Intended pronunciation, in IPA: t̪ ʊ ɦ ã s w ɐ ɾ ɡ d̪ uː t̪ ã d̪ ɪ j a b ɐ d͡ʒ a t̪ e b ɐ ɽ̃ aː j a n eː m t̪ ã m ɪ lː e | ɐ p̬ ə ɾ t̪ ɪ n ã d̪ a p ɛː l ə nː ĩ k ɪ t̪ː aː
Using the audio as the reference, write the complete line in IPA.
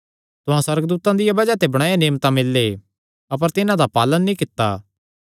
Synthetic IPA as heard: t̪ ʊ ɦ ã s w ɐ ɾ ɡ d̪ uː t̪ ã d̪ ɪ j a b ɐ d͡ʒ a t̪ e b ɐ ɽ̃ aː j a n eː m t̪ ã m ɪ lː e | ɐ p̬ ə ɾ t̪ ɪ n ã d̪ a p aː l ə nː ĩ k ɪ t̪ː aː